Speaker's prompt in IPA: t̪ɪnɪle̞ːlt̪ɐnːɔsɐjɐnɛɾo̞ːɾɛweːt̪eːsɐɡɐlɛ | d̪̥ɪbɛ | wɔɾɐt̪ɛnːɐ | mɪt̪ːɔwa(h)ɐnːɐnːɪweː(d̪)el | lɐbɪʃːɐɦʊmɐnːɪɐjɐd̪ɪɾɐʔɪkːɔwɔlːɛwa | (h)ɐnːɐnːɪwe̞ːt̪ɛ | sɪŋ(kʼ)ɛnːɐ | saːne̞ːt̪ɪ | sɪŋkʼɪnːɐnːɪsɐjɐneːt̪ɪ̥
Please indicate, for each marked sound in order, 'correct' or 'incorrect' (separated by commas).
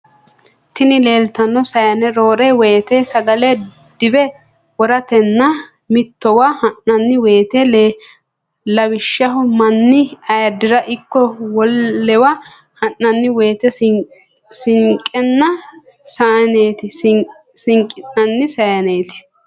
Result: correct, incorrect, correct, correct